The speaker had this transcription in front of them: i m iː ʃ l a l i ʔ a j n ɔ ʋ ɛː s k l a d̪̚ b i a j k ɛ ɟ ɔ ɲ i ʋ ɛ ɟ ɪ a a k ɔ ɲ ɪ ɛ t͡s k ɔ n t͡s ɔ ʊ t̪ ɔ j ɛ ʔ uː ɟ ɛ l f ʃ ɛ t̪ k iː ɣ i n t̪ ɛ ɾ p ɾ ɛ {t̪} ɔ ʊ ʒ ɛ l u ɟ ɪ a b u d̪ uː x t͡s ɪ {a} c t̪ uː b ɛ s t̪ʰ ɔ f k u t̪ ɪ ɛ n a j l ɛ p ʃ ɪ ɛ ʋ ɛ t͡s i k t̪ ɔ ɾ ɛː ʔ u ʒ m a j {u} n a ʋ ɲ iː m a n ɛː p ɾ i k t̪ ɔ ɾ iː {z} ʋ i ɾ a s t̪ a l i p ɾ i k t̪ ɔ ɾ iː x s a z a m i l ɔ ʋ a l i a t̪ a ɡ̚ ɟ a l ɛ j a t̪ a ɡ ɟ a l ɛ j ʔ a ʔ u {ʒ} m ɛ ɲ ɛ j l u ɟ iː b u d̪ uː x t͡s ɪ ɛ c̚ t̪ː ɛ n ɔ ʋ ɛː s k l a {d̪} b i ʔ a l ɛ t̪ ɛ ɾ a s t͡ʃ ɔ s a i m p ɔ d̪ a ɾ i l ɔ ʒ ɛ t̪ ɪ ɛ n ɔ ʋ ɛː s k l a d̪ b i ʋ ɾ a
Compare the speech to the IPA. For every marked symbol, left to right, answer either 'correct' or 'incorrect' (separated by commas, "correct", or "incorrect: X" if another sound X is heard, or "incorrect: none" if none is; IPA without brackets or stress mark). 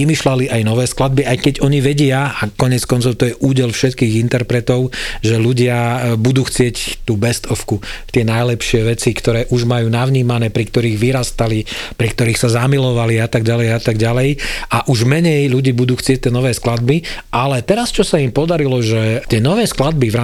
correct, incorrect: ɛ, incorrect: uː, incorrect: ɣ, correct, correct